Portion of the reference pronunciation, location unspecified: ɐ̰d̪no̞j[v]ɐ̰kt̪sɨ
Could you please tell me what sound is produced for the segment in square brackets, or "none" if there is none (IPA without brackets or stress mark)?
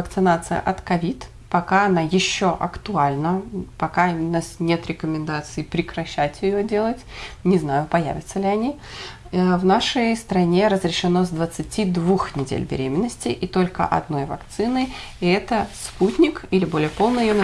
v